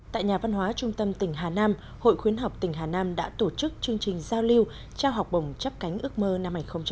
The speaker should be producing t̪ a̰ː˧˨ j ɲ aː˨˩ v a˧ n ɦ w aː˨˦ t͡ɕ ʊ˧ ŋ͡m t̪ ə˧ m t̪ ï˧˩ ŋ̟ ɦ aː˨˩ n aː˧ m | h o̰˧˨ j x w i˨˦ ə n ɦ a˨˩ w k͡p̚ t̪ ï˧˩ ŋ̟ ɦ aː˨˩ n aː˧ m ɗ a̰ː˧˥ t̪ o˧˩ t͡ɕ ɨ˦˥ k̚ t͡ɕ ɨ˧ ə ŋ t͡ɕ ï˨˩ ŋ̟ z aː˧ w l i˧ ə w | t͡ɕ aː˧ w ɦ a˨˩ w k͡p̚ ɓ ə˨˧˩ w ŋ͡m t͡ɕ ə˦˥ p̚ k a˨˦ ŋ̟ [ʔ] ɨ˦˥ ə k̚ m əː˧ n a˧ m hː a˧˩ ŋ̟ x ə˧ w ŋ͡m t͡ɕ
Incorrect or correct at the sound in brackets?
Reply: correct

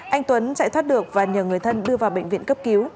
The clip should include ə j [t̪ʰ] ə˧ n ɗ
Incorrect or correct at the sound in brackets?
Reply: correct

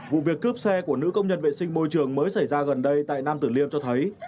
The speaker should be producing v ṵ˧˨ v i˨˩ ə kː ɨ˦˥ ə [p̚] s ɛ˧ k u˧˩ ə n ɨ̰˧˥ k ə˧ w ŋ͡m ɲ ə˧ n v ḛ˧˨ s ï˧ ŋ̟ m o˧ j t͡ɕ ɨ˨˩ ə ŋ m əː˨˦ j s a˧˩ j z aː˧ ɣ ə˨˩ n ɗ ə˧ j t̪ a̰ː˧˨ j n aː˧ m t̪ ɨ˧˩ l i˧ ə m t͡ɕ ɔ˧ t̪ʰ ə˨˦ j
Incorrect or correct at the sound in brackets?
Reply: correct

